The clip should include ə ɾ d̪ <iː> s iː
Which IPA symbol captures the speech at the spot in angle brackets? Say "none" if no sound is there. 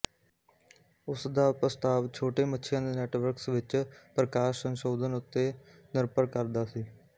aː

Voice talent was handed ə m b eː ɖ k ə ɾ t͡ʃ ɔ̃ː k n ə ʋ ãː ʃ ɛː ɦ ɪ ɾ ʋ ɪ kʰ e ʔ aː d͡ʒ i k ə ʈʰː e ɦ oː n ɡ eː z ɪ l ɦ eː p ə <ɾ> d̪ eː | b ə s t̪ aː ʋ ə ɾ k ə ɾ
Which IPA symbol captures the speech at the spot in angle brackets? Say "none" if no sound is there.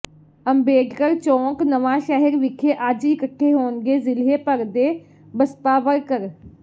ɾ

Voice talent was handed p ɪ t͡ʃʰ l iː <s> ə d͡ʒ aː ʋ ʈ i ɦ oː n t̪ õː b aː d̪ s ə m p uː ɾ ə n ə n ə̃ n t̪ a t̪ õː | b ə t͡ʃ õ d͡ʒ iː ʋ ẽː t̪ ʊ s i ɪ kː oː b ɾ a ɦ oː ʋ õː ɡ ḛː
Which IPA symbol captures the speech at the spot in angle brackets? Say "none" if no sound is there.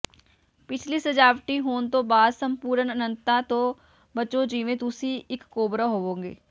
s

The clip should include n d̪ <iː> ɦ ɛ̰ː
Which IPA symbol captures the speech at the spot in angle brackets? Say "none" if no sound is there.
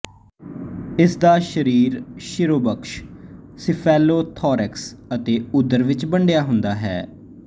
aː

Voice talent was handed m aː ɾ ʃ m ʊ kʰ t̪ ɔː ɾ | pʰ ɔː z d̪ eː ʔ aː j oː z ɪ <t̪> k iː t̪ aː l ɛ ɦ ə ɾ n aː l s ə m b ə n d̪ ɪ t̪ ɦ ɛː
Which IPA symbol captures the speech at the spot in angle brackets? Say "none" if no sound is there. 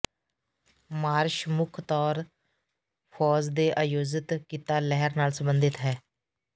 t̪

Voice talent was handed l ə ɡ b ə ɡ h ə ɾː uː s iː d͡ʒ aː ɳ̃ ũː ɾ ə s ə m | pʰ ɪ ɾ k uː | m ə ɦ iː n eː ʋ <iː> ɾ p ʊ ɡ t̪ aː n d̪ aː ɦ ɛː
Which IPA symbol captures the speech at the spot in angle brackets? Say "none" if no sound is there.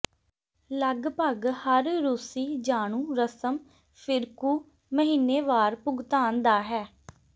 aː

